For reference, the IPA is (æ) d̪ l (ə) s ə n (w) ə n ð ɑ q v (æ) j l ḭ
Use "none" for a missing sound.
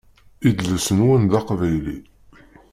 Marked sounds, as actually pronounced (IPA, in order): i, ə, w, æ

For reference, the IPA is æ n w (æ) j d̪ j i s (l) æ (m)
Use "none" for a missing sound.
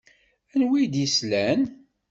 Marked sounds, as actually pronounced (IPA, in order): i, l, n

